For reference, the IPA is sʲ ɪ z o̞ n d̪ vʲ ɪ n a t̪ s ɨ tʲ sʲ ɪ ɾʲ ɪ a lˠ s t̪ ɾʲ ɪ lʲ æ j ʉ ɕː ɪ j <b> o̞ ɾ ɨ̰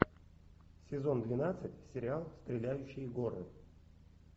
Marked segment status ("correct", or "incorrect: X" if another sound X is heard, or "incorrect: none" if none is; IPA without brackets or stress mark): incorrect: ɡ